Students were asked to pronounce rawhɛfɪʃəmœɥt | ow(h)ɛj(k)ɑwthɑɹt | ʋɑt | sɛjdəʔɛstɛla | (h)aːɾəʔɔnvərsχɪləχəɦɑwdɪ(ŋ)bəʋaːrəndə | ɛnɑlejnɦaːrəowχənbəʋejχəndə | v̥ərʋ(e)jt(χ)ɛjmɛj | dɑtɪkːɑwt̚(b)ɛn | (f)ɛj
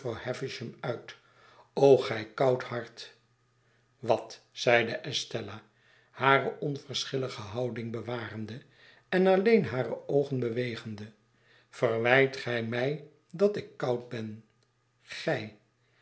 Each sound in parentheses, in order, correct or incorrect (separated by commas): incorrect, correct, correct, correct, incorrect, correct, correct, incorrect